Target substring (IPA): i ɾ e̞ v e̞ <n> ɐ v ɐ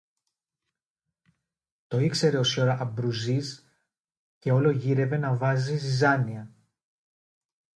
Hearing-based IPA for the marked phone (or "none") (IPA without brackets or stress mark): n